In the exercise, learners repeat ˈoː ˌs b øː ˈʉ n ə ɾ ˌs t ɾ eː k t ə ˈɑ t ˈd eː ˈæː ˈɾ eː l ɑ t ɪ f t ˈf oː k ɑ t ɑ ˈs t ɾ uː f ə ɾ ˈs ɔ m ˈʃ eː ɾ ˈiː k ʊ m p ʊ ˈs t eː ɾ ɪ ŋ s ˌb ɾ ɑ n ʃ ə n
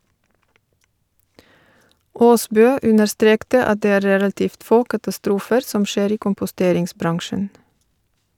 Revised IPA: ˈoː ˌs b øː ˈʉ n ə ɾ ˌs t ɾ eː k t ə ˈɑ t ˈd eː ˈæː ˈɾ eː l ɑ t ɪ f t ˈf oː k ɑ t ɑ ˈs t ɾ uː f ə ɾ ˈs ɔ m ˈʃ eː ɾ ˈiː k ʊ m p ʊ ˈs t eː ɾ ɪ ŋ s ˌb ɾ ɑ ŋ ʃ ə n

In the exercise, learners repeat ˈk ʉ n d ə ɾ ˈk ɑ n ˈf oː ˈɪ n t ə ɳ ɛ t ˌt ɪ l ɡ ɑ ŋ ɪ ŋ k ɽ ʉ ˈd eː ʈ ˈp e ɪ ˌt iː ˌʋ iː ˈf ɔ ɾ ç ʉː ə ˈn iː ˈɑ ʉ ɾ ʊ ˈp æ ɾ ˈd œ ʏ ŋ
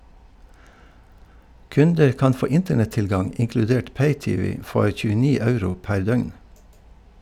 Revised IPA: ˈk ʉ n d ə ɾ ˈk ɑ n ˈf oː ˈɪ n t ə ɳ ɛ t ˌt ɪ l ɡ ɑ ŋ ɪ ŋ k l ʉ ˈd eː ʈ ˈp e ɪ ˌt iː ˌʋ iː ˈf ɔ ɾ ç ʉː ə ˈn iː ˈɑ ʉ ɾ ʊ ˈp æ ɾ ˈd œ ʏ ŋ

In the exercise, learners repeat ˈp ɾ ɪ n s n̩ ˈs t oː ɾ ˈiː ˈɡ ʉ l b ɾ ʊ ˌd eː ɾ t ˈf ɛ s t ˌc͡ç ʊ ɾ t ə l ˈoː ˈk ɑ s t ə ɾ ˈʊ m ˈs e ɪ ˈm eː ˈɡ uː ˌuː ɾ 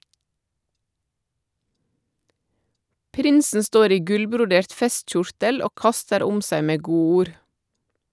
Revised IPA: ˈp ɾ ɪ n s n̩ ˈs t oː ɾ ˈiː ˈɡ ʉ l b ɾ ʊ ˌd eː ɾ t ˈf ɛ s t ˌc͡ç ʊ ɾ t ə l ˈoː ˈk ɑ s t ə ɾ ˈʊ m ˈs æ ɪ ˈm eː ˈɡ uː ˌuː ɾ

